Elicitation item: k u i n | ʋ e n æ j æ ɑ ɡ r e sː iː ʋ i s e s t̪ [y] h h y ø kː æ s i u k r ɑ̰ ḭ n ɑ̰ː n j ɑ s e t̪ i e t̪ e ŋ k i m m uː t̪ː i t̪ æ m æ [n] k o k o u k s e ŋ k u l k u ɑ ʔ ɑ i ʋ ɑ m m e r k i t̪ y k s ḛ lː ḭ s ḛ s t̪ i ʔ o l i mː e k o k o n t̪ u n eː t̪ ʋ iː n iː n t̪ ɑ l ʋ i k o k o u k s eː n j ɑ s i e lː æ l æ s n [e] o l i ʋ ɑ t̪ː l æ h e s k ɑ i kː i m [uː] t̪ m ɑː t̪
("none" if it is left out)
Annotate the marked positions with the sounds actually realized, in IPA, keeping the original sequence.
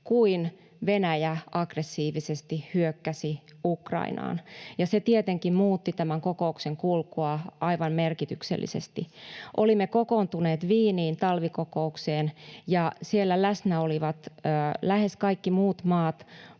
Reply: i, ŋ, æ, uː

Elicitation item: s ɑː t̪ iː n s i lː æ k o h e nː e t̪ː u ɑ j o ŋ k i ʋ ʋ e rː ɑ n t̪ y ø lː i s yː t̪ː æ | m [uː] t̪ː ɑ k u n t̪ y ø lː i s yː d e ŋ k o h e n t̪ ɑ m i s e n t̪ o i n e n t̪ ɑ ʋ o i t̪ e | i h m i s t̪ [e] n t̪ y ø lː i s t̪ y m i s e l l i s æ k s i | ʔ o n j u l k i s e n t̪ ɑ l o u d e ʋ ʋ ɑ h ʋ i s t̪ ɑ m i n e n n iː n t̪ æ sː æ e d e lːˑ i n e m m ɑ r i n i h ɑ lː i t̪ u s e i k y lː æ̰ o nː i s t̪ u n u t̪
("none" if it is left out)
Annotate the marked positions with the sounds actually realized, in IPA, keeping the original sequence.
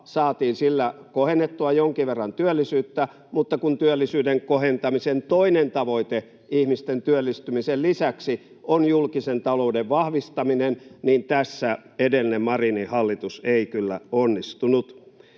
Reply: u, e

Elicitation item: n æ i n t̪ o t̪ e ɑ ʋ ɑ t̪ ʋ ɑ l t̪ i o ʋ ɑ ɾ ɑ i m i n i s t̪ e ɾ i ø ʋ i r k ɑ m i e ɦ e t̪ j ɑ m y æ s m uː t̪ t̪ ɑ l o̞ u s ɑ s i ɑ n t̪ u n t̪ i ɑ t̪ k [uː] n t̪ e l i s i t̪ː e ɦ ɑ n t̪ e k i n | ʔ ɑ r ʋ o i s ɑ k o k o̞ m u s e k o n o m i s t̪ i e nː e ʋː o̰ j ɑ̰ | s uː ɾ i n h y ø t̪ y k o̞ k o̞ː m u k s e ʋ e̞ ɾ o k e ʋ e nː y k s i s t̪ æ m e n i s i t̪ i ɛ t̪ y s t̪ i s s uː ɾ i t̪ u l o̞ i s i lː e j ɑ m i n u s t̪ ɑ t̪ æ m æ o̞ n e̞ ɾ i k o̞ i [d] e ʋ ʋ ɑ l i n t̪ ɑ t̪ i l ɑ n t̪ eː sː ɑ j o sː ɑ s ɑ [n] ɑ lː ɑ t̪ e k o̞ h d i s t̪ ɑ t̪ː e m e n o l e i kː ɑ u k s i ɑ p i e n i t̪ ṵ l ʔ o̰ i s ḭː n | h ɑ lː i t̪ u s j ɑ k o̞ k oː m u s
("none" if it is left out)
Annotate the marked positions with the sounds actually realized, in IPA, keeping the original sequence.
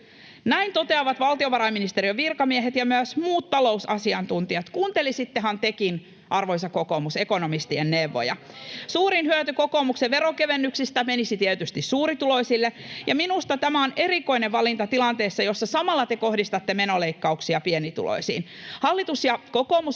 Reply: uː, n, m

